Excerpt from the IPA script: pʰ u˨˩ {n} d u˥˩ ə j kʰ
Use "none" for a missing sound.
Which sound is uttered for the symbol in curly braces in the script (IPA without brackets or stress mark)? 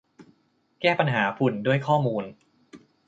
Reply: n